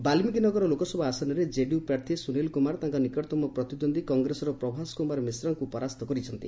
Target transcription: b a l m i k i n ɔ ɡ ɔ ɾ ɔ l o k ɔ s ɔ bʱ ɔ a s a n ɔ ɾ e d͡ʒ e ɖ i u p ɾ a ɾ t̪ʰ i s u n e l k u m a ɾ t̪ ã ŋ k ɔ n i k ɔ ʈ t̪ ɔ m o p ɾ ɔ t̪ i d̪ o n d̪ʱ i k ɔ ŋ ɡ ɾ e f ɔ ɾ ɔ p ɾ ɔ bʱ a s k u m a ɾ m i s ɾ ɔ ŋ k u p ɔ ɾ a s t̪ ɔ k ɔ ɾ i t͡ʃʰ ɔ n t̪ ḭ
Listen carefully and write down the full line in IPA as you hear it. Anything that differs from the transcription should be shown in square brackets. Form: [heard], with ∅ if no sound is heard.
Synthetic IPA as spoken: b a l m i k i n ɔ ɡ ɔ ɾ ɔ l o k ɔ s ɔ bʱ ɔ a s a n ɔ ɾ e d͡ʒ e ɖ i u p ɾ a ɾ t̪ʰ i s u n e l k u m a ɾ t̪ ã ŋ k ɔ n i k ɔ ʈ t̪ ɔ m [ɔ] p ɾ ɔ t̪ i d̪ o n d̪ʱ i k ɔ ŋ ɡ ɾ e [s] ɔ ɾ ɔ p ɾ ɔ bʱ a s k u m a ɾ m i s ɾ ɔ ŋ k u p ɔ ɾ a s t̪ ɔ k ɔ ɾ i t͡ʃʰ ɔ n t̪ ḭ